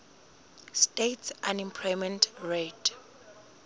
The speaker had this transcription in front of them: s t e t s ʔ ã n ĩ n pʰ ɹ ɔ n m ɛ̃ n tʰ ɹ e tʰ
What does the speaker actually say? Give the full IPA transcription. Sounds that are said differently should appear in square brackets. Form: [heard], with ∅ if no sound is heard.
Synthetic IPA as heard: s t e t s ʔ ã n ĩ [m] pʰ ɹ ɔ [∅] m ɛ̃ n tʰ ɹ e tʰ